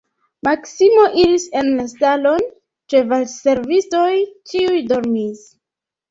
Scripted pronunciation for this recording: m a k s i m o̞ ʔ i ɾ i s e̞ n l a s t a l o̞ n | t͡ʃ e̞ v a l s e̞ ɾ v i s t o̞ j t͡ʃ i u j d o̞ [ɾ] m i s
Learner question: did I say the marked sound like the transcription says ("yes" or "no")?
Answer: yes